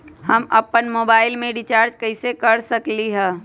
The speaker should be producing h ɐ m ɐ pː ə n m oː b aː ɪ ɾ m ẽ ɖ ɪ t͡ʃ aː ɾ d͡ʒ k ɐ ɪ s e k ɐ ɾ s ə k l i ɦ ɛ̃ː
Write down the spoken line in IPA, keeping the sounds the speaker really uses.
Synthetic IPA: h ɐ m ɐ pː ə n m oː b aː ɪ l m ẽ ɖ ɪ t͡ʃ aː ɾ d͡ʒ k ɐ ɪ s e k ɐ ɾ s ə k l i ɦ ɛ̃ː